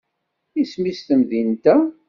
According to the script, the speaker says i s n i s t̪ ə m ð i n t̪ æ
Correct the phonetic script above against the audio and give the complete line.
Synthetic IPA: i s m i s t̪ ə m ð i n t̪ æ